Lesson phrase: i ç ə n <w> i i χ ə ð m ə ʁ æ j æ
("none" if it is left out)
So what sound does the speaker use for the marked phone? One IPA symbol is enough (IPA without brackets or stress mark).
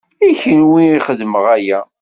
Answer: w